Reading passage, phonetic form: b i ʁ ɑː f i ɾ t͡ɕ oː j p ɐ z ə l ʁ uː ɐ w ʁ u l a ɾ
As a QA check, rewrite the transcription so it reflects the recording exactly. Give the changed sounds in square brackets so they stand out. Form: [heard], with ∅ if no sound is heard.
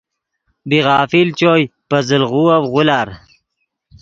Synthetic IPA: b i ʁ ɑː f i [l] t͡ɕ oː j p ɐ z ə l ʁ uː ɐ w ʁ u l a ɾ